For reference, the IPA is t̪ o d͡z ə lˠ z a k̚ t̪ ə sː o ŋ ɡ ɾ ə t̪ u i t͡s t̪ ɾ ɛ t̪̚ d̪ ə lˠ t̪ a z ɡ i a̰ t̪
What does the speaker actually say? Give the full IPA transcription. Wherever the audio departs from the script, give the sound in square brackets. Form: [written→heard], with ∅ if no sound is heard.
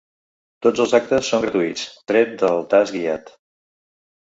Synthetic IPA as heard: t̪ o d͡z ə lˠ z a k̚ t̪ ə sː o ŋ ɡ ɾ ə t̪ u i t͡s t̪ ɾ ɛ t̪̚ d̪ ə lˠ t̪ a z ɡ i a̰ t̪